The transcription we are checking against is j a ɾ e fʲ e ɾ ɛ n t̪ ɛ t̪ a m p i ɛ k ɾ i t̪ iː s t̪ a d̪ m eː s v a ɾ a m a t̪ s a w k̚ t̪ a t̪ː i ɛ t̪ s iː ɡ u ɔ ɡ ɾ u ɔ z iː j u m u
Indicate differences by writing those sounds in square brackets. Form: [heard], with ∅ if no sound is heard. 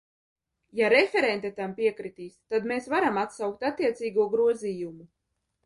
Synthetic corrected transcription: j a ɾ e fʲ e ɾ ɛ n t̪ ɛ t̪ a m p i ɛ k ɾ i t̪ iː s t̪ a d̪ m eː s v a ɾ a m a t̪ s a w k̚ t̪ a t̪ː i ɛ t̪ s iː ɡ u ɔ ɡ ɾ u ɔ z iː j u m u